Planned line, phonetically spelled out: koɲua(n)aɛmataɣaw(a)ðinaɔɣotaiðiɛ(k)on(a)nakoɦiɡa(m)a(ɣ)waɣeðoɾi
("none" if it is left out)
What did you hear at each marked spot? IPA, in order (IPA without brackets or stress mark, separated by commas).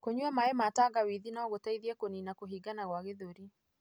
m, i, k, i, n, ɣ